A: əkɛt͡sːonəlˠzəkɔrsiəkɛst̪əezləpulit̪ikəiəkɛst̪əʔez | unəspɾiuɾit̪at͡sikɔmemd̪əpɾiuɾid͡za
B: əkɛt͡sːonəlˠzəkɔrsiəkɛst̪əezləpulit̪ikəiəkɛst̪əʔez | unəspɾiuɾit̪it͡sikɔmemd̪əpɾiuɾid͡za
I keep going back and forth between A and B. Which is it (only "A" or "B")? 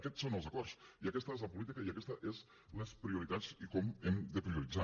A